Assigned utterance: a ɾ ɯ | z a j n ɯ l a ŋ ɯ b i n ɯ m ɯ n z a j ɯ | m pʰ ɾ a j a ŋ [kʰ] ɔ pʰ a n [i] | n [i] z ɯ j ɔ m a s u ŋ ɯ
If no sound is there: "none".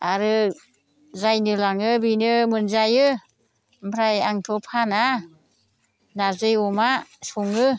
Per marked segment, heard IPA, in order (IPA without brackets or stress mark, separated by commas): tʰ, a, a